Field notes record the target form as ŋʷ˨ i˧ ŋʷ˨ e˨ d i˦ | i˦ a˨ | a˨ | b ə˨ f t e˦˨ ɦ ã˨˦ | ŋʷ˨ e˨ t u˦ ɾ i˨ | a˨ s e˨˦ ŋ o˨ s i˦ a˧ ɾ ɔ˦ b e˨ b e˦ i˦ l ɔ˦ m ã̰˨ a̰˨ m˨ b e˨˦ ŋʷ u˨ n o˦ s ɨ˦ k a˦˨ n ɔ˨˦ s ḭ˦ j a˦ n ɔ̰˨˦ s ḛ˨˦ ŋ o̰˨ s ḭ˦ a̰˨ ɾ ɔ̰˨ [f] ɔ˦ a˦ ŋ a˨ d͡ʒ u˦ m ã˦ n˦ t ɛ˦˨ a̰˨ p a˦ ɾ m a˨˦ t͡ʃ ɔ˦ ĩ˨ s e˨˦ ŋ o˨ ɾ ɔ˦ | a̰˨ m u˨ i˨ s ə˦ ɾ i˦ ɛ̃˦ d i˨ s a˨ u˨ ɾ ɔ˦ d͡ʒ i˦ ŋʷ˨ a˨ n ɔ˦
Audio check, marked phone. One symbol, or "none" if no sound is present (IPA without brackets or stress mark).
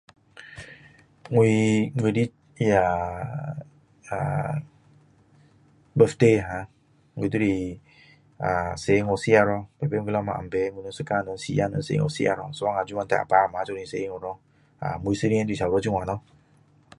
s